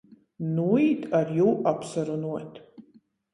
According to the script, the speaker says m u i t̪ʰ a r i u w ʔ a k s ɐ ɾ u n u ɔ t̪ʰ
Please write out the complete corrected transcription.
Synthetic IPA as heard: n u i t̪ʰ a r j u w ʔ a p s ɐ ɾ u n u ɔ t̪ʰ